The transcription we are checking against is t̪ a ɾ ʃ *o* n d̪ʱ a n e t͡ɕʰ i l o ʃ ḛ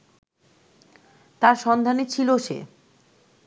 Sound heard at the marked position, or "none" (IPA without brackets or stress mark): ɔ